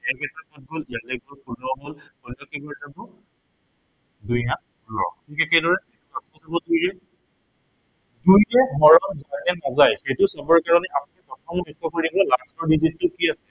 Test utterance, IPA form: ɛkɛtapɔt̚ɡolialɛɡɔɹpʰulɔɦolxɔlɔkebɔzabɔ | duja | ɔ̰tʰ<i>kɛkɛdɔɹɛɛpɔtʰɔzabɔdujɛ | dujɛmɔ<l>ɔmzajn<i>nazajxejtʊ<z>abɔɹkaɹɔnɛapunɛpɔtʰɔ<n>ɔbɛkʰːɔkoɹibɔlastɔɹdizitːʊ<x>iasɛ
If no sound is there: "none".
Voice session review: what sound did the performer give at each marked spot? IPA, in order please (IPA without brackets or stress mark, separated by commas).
i, ɹ, ɛ, s, m, k